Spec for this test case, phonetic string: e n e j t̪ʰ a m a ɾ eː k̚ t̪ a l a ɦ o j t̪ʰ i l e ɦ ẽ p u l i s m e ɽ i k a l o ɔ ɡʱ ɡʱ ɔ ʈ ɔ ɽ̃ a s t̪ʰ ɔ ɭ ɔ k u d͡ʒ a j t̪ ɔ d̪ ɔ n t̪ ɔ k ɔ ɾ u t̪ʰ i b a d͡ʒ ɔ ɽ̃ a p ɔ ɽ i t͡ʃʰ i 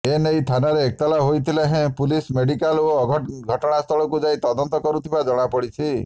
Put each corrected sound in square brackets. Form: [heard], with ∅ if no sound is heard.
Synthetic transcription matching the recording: e n e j t̪ʰ a [n] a ɾ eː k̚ t̪ a l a ɦ o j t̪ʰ i l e ɦ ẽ p u l i s m e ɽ i k a l o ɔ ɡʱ ɡʱ ɔ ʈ ɔ ɽ̃ a s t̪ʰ ɔ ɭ ɔ k u d͡ʒ a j t̪ ɔ d̪ ɔ n t̪ ɔ k ɔ ɾ u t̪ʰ i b a d͡ʒ ɔ ɽ̃ a p ɔ ɽ i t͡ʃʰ i